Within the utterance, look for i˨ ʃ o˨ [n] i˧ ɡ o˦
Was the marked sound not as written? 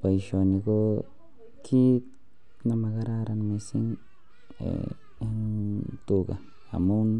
no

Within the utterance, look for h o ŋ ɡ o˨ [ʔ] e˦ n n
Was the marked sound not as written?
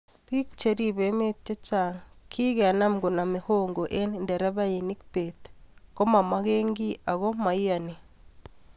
no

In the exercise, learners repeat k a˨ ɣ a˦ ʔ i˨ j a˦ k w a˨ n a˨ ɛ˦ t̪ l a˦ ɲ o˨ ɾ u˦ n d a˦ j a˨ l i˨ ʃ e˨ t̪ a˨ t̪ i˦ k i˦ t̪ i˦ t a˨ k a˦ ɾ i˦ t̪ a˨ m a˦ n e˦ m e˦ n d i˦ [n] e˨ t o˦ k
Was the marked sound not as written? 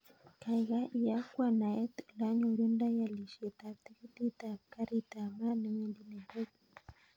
no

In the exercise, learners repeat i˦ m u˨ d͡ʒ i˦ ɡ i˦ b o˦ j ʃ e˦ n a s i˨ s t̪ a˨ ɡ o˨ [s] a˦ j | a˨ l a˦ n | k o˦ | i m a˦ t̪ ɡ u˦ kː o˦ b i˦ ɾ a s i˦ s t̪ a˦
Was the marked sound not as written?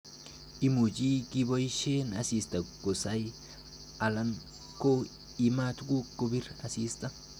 no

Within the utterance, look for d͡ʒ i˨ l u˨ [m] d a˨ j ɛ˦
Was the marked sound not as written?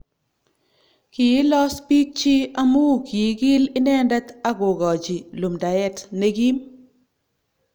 no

